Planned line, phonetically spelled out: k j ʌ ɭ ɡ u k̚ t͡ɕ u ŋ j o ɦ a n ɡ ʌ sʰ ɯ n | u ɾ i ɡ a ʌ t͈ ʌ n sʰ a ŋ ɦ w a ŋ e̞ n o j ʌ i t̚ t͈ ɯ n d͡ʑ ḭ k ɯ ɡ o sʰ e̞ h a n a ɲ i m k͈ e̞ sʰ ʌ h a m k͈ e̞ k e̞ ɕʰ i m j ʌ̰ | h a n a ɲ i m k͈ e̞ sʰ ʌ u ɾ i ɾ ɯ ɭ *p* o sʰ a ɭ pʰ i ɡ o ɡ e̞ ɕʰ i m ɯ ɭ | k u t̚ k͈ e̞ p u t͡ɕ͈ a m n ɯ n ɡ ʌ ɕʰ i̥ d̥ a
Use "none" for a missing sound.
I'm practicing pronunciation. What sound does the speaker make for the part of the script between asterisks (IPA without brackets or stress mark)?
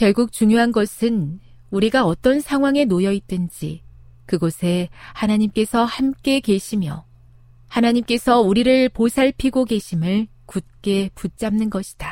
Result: p